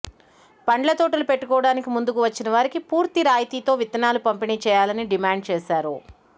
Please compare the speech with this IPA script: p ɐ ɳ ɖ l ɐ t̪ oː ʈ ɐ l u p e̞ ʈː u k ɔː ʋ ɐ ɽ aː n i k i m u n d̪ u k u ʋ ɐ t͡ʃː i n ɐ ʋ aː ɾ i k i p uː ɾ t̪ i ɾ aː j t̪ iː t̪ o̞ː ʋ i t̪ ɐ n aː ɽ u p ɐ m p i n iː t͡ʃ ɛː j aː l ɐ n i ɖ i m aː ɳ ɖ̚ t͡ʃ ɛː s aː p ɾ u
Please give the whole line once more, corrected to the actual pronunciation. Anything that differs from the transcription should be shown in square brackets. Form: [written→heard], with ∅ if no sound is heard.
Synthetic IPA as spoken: p ɐ ɳ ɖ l ɐ t̪ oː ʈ ɐ l u p e̞ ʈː u k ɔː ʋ ɐ ɽ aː n i k i m u n d̪ u k u ʋ ɐ t͡ʃː i n ɐ ʋ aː ɾ i k i p uː ɾ t̪ i ɾ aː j t̪ iː t̪ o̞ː ʋ i t̪ ɐ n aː [ɽ→l] u p ɐ m p i n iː t͡ʃ ɛː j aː l ɐ n i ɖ i m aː ɳ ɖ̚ t͡ʃ ɛː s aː [p→∅] ɾ u